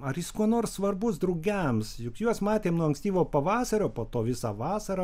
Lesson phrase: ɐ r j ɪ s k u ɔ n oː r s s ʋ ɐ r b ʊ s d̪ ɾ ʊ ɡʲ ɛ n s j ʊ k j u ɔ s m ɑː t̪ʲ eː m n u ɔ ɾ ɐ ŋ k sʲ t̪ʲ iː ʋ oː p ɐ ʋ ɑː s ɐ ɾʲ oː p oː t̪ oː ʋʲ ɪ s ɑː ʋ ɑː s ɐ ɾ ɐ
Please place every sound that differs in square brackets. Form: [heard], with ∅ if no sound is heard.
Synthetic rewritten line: ɐ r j ɪ s k u ɔ n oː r s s ʋ ɐ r b ʊ s d̪ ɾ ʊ ɡʲ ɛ [m] s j ʊ k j u ɔ s m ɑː t̪ʲ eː m n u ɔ [∅] ɐ ŋ k sʲ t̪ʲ iː ʋ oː p ɐ ʋ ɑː s ɐ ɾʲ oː p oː t̪ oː ʋʲ ɪ s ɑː ʋ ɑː s ɐ ɾ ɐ

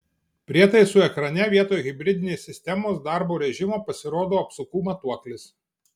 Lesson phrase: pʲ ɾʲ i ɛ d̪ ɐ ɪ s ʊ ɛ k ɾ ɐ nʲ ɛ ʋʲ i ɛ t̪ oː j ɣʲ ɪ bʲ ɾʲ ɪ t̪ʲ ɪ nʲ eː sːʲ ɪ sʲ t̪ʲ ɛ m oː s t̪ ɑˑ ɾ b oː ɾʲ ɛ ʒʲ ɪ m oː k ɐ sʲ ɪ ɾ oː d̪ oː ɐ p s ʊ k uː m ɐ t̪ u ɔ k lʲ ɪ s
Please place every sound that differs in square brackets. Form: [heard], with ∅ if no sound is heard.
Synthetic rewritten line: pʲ ɾʲ i ɛ [t̪] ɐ ɪ s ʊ ɛ k ɾ ɐ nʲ ɛ ʋʲ i ɛ t̪ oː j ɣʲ ɪ bʲ ɾʲ ɪ [d̪ʲ] ɪ nʲ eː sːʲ ɪ sʲ t̪ʲ ɛ m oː s [d̪] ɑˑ ɾ b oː ɾʲ ɛ ʒʲ ɪ m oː [p] ɐ sʲ ɪ ɾ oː d̪ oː ɐ p s ʊ k uː m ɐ t̪ u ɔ k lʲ ɪ s

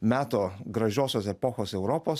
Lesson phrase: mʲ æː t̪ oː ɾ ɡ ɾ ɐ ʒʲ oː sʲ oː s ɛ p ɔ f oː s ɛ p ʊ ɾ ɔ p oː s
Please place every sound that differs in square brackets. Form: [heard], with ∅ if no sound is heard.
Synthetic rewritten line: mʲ æː t̪ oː [∅] ɡ ɾ ɐ ʒʲ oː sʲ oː s ɛ p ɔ [x] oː s ɛ [∅] ʊ ɾ ɔ p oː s

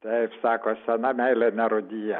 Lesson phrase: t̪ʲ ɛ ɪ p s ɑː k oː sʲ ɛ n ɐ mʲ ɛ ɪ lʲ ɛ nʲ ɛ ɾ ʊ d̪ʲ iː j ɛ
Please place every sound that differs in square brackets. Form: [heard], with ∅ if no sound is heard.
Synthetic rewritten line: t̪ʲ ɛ ɪ p s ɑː k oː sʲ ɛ n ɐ mʲ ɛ ɪ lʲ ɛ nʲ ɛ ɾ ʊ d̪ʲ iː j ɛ

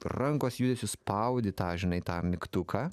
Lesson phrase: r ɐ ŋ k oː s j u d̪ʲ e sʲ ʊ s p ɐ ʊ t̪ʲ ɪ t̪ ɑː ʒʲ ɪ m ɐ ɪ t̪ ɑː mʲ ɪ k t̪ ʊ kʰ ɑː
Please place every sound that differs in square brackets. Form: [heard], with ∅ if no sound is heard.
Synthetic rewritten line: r ɐ ŋ k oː s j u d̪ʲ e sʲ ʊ s p ɐ ʊ [d̪ʲ] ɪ t̪ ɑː ʒʲ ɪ [n] ɐ ɪ t̪ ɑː mʲ ɪ k t̪ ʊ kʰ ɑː

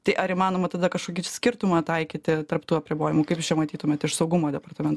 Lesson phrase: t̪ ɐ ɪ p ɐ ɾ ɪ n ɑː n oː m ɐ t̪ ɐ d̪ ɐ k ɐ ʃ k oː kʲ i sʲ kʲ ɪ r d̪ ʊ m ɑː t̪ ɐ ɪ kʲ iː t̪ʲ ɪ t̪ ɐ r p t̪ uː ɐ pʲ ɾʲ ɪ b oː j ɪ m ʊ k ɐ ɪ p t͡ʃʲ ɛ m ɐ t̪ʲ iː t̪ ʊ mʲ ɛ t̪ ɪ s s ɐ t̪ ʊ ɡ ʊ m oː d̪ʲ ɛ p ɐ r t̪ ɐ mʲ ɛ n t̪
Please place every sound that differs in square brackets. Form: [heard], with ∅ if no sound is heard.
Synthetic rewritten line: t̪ ɐ ɪ [ʔ] ɐ ɾ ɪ [m] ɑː n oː m ɐ t̪ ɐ d̪ ɐ k ɐ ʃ k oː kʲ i sʲ kʲ ɪ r [t̪] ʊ m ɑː t̪ ɐ ɪ kʲ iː t̪ʲ ɪ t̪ ɐ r p t̪ uː ɐ pʲ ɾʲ ɪ b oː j ɪ m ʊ k ɐ ɪ p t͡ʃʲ ɛ m ɐ t̪ʲ iː t̪ ʊ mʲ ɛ t̪ ɪ [ʃ] s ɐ [∅] ʊ ɡ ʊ m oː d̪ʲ ɛ p ɐ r t̪ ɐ mʲ ɛ n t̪

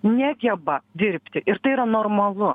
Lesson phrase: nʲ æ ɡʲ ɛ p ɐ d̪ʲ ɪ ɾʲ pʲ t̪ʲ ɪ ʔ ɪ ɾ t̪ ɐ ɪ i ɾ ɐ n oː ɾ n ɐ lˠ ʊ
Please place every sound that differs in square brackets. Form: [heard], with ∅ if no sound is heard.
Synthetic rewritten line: nʲ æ ɡʲ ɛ [b] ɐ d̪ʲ ɪ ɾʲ pʲ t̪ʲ ɪ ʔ ɪ ɾ t̪ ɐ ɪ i ɾ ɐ n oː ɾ [m] ɐ lˠ ʊ

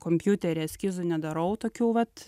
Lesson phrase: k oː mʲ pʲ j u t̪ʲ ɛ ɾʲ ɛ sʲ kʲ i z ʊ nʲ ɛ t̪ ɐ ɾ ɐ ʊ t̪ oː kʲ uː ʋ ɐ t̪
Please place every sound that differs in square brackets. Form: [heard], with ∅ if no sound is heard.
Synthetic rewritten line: k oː mʲ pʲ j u t̪ʲ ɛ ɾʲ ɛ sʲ kʲ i z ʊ nʲ ɛ [d̪] ɐ ɾ ɐ ʊ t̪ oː kʲ uː ʋ ɐ t̪

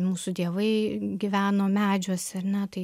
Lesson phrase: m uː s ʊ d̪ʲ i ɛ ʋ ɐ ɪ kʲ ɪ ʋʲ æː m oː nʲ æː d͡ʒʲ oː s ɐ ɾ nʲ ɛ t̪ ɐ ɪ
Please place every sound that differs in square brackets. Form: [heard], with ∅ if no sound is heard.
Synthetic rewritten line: m uː s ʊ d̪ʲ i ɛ ʋ ɐ ɪ [ɡʲ] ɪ ʋʲ æː [n] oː [mʲ] æː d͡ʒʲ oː s ɐ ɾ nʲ ɛ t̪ ɐ ɪ

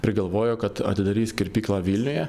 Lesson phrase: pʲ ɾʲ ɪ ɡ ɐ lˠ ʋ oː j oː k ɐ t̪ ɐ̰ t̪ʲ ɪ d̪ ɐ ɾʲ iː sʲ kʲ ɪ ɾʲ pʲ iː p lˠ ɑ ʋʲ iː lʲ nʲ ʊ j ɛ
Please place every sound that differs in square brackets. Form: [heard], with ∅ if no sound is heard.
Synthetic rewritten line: pʲ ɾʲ ɪ ɡ ɐ lˠ ʋ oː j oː k ɐ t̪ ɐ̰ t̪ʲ ɪ d̪ ɐ ɾʲ iː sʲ kʲ ɪ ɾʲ pʲ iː [k] lˠ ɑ ʋʲ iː lʲ nʲ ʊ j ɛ

